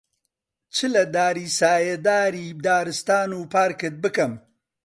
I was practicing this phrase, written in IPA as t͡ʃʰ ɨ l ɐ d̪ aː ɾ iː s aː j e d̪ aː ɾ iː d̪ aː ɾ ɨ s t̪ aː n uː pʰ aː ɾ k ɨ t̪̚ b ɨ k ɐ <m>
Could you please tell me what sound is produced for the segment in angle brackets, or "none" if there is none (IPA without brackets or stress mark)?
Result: m